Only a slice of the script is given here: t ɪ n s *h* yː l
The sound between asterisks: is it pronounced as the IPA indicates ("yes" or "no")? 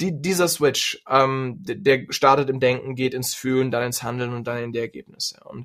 no